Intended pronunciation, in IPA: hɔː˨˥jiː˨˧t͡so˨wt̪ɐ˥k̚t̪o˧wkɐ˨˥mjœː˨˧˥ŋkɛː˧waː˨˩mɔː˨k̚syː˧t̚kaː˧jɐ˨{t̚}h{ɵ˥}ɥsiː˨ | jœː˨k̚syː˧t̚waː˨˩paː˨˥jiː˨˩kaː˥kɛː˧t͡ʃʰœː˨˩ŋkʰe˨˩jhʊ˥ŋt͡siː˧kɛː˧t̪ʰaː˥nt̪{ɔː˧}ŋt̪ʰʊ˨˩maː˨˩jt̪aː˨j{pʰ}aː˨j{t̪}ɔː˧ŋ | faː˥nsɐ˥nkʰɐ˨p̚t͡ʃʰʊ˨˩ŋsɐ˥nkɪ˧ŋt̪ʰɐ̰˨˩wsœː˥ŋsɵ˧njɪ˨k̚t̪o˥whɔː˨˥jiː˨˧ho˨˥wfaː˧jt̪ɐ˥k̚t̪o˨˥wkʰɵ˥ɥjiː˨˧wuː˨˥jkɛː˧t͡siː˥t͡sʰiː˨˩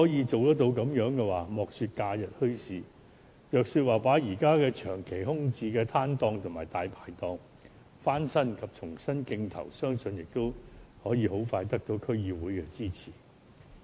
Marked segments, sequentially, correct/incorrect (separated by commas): correct, correct, correct, correct, correct